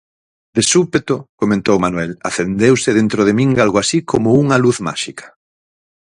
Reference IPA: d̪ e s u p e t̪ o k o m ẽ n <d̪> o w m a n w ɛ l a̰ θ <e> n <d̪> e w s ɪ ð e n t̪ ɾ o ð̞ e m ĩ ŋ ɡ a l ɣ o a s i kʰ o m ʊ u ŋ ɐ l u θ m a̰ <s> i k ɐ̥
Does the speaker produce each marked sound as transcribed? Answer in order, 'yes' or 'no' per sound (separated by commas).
no, yes, yes, no